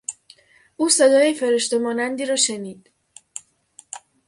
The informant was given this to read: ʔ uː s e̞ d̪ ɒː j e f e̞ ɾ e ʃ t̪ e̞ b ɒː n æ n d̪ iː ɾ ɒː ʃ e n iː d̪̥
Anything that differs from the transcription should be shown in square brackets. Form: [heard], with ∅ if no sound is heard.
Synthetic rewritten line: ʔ uː s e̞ d̪ ɒː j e f e̞ ɾ e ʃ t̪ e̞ [m] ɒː n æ n d̪ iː ɾ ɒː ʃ e n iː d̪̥